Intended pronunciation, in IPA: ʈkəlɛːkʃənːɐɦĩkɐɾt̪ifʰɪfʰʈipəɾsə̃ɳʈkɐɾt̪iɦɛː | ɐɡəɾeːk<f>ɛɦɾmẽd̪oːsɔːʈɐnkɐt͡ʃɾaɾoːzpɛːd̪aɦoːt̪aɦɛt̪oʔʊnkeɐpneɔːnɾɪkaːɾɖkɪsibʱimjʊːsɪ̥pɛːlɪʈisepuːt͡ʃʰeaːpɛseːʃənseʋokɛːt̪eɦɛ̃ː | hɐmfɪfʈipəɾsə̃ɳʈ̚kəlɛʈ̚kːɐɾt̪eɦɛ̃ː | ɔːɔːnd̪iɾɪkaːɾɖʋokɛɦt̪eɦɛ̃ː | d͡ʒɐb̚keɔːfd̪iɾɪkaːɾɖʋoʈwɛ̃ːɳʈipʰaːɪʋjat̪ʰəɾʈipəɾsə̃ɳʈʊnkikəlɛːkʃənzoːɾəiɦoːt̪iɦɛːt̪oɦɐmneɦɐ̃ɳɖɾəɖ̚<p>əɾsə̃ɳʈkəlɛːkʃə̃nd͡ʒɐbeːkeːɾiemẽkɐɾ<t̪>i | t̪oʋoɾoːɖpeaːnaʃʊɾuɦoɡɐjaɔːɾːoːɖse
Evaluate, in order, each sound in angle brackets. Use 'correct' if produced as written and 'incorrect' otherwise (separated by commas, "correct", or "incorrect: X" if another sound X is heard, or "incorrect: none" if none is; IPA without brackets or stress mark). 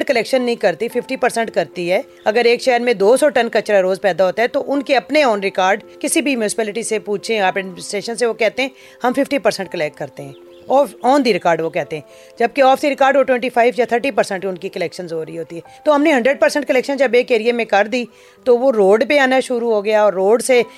incorrect: ʃ, correct, incorrect: d̪